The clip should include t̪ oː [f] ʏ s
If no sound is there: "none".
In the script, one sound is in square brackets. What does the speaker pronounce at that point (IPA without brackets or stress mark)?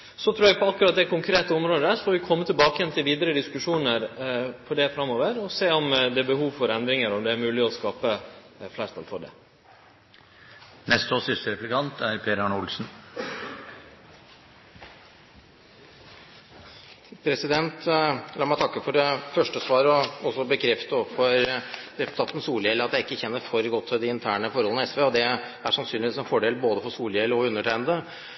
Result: s